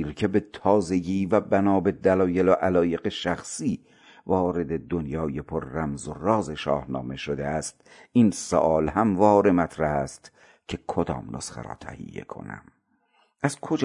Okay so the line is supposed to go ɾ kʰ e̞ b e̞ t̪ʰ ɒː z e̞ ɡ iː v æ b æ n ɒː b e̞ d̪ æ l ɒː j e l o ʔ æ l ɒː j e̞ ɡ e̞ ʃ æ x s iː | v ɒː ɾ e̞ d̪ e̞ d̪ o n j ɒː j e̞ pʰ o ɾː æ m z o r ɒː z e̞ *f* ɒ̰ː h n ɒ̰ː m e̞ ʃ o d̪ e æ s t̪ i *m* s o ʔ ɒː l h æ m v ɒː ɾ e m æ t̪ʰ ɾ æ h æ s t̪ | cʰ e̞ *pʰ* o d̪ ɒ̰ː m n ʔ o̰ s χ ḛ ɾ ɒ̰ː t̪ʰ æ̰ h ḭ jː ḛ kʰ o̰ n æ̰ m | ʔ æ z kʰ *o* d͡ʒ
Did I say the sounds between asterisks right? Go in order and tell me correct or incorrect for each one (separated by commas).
incorrect, incorrect, incorrect, correct